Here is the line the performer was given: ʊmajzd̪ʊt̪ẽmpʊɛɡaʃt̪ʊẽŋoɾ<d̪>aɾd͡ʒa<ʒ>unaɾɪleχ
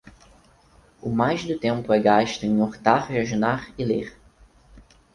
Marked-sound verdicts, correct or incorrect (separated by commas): incorrect, correct